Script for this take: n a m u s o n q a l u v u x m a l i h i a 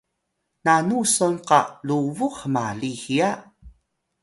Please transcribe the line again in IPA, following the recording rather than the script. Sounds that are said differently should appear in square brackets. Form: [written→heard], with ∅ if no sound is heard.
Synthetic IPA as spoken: n a [m→n] u s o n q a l u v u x m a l i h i a